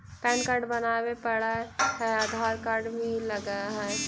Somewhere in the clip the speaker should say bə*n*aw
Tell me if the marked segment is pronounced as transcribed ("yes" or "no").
yes